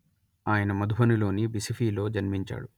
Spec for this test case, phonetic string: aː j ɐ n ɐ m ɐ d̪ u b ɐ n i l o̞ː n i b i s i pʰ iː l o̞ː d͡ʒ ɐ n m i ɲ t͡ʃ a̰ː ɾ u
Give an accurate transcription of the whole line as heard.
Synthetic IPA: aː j ɐ n ɐ m ɐ d̪ u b ɐ n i l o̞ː n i b i s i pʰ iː l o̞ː d͡ʒ ɐ n m i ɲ t͡ʃ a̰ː ɽ u